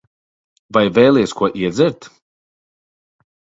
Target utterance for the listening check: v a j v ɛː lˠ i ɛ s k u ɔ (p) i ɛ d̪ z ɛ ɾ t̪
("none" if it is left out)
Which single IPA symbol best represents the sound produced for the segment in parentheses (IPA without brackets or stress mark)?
ʔ